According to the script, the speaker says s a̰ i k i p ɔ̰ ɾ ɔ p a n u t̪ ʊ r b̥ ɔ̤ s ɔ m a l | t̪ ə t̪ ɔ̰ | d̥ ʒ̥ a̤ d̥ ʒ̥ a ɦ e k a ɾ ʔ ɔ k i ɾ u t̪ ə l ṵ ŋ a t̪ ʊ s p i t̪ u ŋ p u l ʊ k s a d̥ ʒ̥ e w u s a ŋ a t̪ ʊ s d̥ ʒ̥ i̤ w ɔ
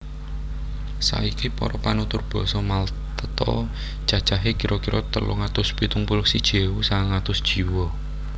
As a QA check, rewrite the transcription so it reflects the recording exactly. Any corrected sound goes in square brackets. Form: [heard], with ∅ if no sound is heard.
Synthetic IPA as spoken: s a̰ i k i p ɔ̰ ɾ ɔ p a n u t̪ ʊ r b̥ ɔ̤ s ɔ m a l | t̪ ə t̪ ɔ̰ | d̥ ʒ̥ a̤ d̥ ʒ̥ a ɦ e k [i] ɾ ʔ ɔ k i ɾ [ɔ] t̪ ə l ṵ ŋ a t̪ ʊ s p i t̪ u ŋ p u l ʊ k s [i] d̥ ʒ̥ e w u s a ŋ a t̪ ʊ s d̥ ʒ̥ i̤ w ɔ